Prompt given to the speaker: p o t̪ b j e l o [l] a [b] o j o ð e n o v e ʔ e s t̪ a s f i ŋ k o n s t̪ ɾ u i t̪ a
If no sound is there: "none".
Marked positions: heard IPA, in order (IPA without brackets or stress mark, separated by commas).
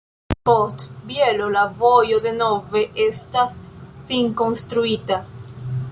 l, v